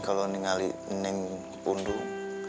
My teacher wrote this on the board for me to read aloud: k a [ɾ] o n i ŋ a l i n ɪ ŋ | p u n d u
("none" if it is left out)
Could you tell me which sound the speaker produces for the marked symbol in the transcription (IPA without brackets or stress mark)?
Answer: l